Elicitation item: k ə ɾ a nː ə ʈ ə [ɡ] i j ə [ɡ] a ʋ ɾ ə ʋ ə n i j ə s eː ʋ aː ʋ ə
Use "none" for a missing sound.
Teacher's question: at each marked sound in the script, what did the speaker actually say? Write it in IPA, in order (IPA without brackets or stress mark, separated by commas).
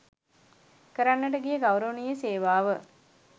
ɡ, ɡ